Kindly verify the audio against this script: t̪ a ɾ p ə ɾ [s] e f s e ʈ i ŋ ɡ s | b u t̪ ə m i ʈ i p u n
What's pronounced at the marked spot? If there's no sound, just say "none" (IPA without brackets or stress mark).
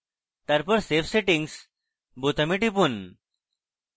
s